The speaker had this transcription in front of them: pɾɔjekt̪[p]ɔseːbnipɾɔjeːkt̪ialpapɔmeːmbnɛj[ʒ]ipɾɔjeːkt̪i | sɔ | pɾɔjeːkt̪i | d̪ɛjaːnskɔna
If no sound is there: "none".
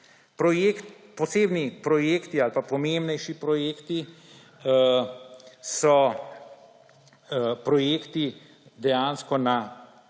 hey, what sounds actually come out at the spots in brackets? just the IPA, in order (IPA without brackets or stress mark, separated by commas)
p, ʃ